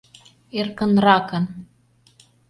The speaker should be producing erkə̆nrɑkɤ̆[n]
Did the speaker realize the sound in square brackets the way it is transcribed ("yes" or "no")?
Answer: yes